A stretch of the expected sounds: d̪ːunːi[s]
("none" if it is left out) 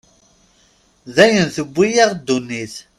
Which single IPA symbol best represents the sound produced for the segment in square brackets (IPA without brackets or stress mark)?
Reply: θ